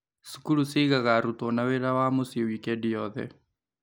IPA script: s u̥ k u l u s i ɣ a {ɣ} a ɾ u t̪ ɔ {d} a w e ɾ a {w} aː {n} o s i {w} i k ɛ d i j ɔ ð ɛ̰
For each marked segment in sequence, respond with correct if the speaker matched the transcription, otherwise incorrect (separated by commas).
correct, incorrect, correct, incorrect, correct